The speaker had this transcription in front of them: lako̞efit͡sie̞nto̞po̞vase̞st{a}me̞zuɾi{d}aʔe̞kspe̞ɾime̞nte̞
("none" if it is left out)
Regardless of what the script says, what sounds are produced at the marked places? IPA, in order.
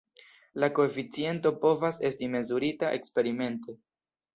i, t

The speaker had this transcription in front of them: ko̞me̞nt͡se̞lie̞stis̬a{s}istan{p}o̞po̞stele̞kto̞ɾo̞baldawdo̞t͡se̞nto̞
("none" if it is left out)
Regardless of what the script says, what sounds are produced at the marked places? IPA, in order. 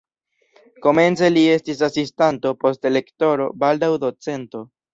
s, t

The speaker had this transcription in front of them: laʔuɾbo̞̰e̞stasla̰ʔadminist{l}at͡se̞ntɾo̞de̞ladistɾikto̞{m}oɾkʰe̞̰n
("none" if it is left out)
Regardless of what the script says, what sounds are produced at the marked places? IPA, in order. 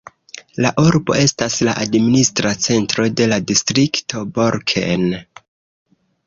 ɾ, b

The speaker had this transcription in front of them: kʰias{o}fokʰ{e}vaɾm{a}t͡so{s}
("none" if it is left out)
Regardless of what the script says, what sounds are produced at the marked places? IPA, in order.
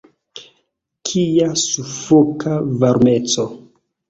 u, a, e, none

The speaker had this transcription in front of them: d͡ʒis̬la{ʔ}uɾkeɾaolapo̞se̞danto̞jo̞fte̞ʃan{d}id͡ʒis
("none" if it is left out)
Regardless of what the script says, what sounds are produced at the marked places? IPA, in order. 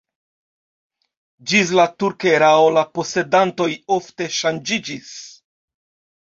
t, d͡ʒ

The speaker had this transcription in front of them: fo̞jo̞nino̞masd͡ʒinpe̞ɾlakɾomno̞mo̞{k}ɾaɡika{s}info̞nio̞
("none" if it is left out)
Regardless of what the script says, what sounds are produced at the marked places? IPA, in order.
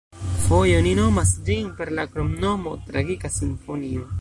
t, s

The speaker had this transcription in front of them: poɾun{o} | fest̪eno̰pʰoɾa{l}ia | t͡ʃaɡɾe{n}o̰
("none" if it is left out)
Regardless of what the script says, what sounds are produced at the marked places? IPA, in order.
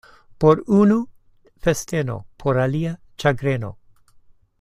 u, l, n

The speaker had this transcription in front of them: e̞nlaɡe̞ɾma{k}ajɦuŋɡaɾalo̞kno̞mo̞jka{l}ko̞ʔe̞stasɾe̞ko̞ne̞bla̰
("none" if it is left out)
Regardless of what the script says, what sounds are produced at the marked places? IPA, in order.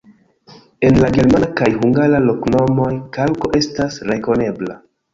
k, l

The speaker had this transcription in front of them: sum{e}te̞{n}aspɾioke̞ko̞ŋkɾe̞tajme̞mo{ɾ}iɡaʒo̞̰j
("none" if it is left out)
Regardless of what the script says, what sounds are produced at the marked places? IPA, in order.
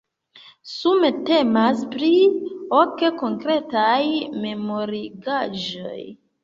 e, m, ɾ

